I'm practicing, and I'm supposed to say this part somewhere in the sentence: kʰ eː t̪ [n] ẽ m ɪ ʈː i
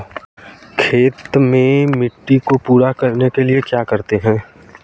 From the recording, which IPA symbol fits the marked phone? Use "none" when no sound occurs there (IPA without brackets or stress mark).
m